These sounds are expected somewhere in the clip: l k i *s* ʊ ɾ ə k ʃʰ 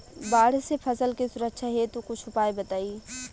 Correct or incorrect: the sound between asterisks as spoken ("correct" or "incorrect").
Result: correct